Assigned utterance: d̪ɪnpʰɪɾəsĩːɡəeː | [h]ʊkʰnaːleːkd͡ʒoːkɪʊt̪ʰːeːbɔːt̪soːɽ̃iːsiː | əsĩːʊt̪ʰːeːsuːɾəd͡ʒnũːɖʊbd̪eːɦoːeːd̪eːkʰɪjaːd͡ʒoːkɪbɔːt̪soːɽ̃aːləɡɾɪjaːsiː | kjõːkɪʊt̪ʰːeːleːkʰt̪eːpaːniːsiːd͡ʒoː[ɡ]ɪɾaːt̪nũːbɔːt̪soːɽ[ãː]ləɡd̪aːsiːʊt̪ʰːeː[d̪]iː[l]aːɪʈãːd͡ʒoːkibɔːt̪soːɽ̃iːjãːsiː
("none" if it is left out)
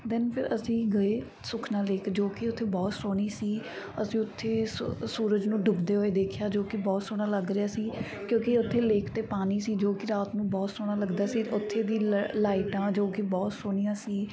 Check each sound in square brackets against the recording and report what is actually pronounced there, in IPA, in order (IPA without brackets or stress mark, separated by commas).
s, k, aː, d̪, l